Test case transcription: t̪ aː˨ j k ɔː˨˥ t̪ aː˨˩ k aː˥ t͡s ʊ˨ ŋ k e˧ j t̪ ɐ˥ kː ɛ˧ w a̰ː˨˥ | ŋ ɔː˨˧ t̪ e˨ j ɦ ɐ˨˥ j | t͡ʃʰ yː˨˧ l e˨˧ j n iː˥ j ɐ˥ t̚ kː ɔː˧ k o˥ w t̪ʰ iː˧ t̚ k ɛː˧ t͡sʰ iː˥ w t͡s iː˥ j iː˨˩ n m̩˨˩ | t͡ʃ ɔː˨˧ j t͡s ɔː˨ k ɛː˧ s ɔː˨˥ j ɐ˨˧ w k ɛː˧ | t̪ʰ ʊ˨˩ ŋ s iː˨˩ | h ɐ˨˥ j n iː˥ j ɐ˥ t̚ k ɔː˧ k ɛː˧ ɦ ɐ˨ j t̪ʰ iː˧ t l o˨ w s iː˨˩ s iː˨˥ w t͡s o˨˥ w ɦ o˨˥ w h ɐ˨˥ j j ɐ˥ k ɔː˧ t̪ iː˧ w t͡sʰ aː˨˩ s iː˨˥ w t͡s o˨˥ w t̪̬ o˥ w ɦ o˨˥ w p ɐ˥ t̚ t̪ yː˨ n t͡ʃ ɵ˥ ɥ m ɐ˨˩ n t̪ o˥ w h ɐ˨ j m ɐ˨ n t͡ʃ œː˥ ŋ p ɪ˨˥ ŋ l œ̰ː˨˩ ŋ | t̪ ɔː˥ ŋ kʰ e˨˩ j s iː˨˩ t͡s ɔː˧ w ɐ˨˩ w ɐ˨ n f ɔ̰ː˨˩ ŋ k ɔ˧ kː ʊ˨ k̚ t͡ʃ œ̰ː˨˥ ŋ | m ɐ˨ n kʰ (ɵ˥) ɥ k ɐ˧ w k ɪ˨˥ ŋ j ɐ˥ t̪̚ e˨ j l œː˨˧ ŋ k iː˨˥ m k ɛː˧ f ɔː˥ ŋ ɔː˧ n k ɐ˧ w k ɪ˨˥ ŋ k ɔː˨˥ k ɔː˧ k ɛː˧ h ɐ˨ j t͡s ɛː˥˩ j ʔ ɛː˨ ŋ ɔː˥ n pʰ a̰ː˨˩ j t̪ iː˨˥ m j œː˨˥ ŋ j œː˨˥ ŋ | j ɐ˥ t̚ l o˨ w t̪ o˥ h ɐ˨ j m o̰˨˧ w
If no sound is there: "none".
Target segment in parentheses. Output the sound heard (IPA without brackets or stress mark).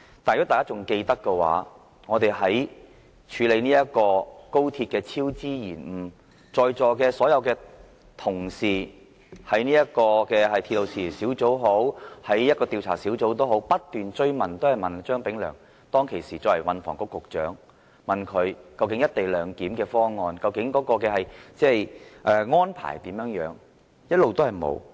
ɵ˨˧